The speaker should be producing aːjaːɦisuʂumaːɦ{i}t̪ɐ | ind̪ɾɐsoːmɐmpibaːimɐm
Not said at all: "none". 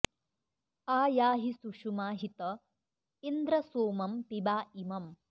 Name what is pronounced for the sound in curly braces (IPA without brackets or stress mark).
i